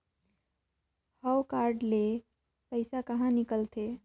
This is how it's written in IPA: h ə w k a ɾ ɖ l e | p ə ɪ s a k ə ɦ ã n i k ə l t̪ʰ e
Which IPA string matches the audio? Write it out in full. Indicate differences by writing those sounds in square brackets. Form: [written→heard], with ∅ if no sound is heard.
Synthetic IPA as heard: h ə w k a ɾ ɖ l e | p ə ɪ s a k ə ɦ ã n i k ə l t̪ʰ e